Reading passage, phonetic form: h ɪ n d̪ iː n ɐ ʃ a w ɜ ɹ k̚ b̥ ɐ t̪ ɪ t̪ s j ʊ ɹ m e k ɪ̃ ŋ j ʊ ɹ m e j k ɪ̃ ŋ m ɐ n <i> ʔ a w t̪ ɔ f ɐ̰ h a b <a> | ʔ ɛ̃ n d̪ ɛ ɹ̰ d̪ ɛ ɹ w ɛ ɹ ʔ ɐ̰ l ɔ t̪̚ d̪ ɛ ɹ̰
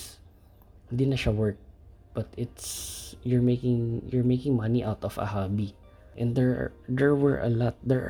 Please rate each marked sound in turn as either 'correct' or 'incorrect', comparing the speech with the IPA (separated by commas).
correct, incorrect